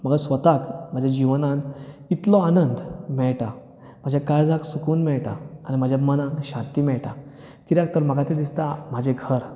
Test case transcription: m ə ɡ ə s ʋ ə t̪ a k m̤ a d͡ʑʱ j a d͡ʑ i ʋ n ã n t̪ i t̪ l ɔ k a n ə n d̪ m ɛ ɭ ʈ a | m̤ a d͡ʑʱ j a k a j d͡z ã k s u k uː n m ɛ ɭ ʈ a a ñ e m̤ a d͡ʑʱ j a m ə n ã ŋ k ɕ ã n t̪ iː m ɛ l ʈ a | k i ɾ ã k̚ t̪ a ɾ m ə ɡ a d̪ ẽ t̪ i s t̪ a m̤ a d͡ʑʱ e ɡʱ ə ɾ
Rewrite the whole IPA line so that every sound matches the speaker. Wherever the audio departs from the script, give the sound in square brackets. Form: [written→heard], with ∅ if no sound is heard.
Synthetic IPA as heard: m ə ɡ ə s ʋ ə t̪ a k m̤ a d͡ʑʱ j a d͡ʑ i ʋ n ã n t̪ i t̪ l ɔ [k→∅] a n ə n d̪ m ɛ ɭ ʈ a | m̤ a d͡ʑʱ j a k a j d͡z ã k s u k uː n m ɛ ɭ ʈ a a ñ [e→i] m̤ a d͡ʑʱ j a m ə n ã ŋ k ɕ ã n t̪ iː m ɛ [l→ɭ] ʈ a | k i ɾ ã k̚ t̪ [a→ə] ɾ m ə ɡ a [d̪→t̪] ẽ [t̪→d̪] i s t̪ a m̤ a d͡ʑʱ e ɡʱ ə ɾ